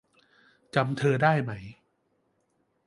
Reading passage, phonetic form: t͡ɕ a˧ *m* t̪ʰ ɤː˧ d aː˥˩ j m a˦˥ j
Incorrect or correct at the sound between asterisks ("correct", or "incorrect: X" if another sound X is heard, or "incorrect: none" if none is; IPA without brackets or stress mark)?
correct